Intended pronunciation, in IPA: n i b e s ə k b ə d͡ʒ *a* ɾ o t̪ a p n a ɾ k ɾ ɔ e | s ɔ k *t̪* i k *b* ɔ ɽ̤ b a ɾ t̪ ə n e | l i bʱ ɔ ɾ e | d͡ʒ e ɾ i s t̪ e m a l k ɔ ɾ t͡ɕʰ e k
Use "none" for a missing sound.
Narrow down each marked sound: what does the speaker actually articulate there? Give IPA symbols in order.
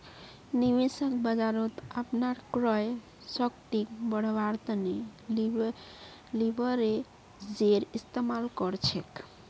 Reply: a, t̪, b

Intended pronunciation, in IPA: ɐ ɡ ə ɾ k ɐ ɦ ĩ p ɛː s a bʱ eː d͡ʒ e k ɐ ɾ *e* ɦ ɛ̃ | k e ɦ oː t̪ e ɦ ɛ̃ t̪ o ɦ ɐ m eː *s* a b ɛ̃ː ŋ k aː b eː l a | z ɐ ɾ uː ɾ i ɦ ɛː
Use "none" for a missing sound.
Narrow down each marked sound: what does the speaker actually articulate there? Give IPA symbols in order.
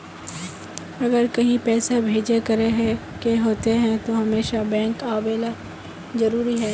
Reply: e, ʃ

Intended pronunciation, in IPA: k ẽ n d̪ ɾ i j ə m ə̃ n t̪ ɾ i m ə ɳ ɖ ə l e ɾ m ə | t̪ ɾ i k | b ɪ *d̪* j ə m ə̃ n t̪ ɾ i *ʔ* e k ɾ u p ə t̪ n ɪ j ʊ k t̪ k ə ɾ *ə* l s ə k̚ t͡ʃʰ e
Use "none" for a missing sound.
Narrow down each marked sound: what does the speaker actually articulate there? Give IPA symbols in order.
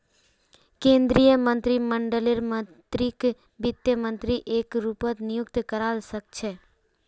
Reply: t̪, ʔ, a

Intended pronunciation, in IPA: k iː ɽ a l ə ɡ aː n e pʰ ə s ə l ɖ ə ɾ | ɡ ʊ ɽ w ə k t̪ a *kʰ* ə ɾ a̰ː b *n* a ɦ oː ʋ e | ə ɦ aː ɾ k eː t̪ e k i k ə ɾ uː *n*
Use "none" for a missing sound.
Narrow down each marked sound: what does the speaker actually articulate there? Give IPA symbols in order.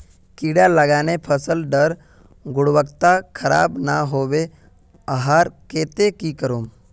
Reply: kʰ, n, m

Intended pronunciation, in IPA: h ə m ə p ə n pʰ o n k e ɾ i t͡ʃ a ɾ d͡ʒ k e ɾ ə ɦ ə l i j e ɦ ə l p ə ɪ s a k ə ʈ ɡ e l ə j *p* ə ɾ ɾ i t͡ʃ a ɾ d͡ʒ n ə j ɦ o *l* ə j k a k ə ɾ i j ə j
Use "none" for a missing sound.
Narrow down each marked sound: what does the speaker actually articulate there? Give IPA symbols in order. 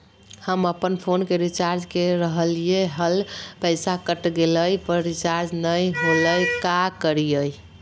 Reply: p, l

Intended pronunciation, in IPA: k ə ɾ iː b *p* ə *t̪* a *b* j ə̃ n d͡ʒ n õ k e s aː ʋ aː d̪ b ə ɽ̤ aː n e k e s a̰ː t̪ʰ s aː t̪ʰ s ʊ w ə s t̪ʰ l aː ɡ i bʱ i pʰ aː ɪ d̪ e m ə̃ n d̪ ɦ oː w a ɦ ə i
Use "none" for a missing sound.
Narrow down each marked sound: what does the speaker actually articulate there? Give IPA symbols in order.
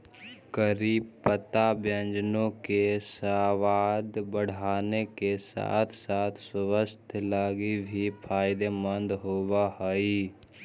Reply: p, t̪, b

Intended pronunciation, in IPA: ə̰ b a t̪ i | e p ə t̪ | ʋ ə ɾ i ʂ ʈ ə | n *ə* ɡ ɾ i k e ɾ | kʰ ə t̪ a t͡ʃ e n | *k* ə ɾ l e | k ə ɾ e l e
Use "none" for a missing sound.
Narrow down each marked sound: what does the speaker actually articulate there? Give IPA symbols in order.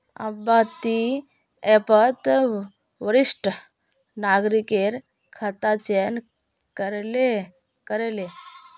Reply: a, k

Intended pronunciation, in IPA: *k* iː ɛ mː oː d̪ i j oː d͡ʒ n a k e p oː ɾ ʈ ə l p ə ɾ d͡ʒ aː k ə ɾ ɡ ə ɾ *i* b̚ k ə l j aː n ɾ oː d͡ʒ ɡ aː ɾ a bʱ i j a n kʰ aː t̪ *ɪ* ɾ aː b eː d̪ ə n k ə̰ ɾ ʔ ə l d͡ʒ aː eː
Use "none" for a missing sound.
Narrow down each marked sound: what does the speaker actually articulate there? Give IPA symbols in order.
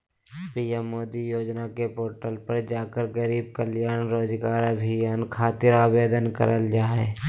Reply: p, iː, ɪ

